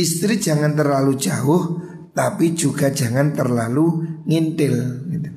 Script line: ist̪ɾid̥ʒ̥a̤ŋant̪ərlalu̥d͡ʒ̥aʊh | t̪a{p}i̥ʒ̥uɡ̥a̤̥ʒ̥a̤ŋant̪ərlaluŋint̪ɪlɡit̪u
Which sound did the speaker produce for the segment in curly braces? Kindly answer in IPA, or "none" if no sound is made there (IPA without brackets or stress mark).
p